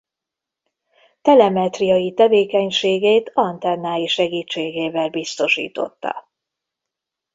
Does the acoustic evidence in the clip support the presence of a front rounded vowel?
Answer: no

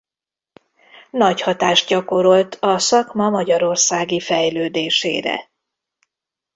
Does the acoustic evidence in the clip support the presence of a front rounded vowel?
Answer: yes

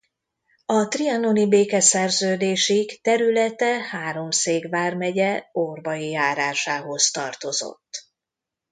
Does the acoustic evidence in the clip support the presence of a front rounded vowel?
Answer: yes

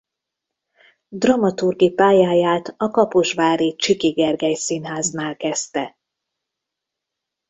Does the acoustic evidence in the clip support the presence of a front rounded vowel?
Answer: no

